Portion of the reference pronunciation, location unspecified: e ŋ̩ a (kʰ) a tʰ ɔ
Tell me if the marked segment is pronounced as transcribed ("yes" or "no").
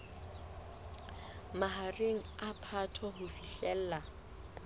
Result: no